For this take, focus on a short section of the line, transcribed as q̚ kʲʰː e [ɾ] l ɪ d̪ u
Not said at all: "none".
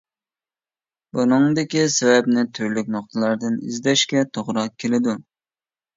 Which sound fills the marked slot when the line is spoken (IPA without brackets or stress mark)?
none